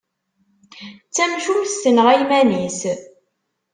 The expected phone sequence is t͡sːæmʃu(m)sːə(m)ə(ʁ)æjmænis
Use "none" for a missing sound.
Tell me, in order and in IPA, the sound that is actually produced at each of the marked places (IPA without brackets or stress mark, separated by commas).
m, n, ʁ